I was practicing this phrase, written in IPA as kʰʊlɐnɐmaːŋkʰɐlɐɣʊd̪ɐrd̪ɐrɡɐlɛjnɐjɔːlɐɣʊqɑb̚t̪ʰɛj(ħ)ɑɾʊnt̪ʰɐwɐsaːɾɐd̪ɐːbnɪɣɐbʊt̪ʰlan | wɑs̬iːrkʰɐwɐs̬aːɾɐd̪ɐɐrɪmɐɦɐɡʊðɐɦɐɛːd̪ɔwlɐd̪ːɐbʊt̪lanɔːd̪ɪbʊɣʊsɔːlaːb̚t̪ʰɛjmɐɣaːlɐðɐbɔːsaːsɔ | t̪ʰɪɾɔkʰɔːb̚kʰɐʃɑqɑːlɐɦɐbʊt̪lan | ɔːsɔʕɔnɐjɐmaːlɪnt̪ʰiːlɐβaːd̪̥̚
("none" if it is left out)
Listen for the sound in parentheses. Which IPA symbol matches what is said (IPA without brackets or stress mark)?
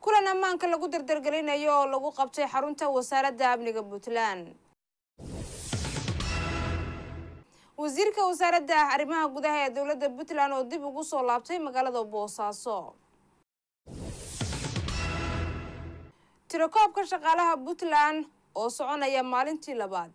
ħ